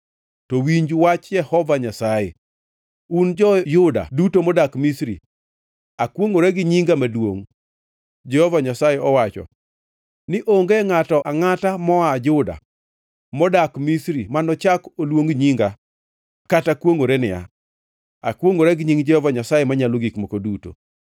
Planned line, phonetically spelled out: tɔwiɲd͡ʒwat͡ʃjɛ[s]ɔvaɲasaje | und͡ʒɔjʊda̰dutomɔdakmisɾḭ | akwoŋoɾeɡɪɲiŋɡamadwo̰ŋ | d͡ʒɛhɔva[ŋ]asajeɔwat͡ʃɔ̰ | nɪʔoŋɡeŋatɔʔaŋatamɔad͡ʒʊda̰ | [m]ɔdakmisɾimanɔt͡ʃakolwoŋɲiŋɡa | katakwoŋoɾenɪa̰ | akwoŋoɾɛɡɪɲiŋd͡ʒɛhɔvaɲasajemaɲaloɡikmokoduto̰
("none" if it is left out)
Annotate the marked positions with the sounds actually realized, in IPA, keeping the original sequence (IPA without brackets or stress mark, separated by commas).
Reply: h, ɲ, m